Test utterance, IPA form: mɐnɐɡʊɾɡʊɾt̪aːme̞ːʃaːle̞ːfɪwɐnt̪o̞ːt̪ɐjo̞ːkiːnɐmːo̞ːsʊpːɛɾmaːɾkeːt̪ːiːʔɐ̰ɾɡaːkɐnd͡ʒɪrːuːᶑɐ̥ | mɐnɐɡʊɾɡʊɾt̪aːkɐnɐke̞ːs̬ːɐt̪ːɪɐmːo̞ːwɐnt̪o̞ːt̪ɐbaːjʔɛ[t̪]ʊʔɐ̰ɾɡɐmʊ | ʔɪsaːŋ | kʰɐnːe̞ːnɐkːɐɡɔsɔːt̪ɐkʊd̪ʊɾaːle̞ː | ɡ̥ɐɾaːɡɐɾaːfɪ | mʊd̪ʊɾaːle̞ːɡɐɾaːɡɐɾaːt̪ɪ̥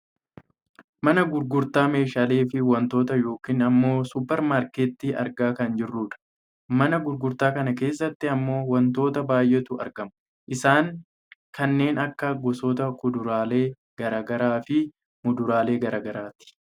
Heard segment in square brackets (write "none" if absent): t̪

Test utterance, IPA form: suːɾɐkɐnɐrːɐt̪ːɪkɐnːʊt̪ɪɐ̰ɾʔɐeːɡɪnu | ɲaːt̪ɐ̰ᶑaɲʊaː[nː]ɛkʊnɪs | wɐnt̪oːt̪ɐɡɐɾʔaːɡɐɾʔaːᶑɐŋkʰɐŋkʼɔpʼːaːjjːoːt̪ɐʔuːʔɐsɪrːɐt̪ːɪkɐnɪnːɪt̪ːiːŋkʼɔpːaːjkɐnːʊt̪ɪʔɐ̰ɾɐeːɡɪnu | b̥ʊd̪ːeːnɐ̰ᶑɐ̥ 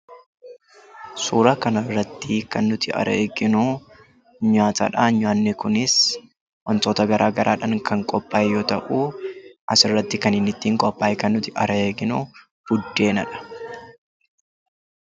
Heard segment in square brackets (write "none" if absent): nː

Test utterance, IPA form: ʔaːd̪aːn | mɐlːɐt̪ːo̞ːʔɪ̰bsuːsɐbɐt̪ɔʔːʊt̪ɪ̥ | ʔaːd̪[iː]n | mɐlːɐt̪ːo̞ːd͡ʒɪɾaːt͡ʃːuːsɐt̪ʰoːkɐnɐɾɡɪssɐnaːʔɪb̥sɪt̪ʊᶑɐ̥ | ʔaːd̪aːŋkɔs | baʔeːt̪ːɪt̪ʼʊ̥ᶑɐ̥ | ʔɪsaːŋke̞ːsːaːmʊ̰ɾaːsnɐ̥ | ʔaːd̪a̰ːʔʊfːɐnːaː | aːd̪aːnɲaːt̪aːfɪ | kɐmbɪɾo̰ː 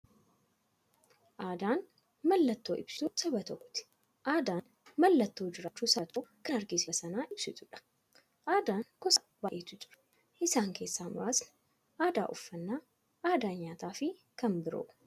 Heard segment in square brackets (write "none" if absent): aː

